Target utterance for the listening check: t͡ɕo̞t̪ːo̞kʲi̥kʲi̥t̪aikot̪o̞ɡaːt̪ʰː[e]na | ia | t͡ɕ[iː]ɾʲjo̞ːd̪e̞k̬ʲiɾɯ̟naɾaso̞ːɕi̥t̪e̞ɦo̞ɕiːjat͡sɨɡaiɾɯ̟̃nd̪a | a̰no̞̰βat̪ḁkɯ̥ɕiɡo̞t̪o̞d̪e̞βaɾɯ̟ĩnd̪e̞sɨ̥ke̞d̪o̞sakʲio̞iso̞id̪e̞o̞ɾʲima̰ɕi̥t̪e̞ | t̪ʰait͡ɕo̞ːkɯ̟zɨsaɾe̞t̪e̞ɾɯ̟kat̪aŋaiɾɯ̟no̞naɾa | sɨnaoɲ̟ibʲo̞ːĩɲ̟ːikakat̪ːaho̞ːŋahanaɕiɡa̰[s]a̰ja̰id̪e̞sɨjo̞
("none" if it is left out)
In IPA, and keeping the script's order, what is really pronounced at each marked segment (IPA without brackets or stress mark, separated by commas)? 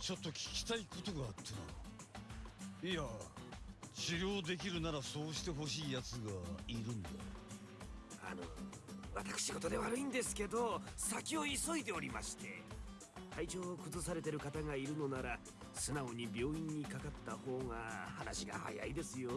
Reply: e, i, h